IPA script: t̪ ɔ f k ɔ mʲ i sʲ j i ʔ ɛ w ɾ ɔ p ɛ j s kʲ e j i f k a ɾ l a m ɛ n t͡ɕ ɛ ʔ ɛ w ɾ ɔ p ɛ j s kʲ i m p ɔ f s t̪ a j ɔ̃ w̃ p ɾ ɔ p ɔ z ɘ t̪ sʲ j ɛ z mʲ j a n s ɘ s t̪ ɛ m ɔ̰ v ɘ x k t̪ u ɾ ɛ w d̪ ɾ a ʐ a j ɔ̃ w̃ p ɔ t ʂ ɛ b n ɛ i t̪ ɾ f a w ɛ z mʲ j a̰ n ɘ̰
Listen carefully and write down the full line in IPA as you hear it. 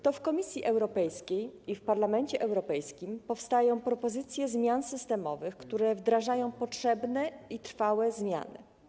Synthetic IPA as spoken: t̪ ɔ f k ɔ mʲ i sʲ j i ʔ ɛ w ɾ ɔ p ɛ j s kʲ e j i f p a ɾ l a m ɛ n t͡ɕ ɛ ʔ ɛ w ɾ ɔ p ɛ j s kʲ i m p ɔ f s t̪ a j ɔ̃ w̃ p ɾ ɔ p ɔ z ɘ t̪ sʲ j ɛ z mʲ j a n s ɘ s t̪ ɛ m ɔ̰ v ɘ x k t̪ u ɾ ɛ v d̪ ɾ a ʐ a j ɔ̃ w̃ p ɔ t ʂ ɛ b n ɛ i t̪ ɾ f a w ɛ z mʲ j a̰ n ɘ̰